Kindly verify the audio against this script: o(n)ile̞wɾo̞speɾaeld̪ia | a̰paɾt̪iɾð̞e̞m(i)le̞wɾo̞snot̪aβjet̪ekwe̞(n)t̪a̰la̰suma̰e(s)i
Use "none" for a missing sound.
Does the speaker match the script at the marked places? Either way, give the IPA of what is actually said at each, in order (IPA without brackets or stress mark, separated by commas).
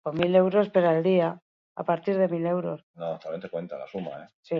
m, i, n, s